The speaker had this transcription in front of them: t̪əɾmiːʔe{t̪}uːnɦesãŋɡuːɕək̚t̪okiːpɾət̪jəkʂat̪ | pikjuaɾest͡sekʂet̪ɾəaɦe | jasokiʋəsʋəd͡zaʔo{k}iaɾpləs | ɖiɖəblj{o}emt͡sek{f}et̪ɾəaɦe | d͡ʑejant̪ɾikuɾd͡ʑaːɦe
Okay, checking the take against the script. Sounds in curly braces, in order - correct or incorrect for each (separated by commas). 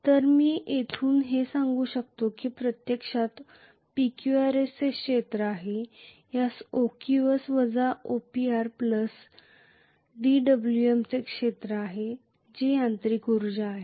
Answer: incorrect, incorrect, incorrect, incorrect